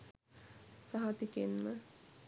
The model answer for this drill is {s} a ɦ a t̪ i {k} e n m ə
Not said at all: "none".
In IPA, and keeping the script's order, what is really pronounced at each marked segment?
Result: s, k

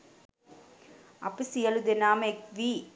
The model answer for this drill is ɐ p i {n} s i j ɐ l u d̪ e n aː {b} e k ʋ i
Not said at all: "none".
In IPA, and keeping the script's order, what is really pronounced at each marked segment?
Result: none, m

